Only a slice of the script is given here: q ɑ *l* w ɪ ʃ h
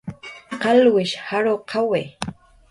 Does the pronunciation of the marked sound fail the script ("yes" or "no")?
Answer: no